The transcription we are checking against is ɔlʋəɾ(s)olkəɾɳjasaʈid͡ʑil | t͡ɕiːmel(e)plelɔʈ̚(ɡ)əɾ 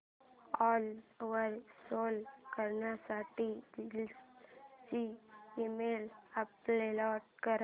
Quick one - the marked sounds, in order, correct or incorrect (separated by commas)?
correct, incorrect, incorrect